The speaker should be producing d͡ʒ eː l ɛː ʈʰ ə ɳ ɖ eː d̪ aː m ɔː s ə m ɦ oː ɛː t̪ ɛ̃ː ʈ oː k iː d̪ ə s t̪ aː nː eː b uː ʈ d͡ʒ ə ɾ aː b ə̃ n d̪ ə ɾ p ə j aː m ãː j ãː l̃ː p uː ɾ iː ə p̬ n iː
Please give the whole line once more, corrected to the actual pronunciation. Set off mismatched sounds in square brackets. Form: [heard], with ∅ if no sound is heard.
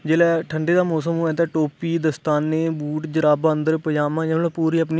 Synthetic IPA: d͡ʒ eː l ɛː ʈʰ ə ɳ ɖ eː d̪ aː m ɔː s ə m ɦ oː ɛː t̪ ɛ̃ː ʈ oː [p] iː d̪ ə s t̪ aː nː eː b uː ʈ d͡ʒ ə ɾ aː b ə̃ n d̪ ə ɾ p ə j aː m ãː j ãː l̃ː p uː ɾ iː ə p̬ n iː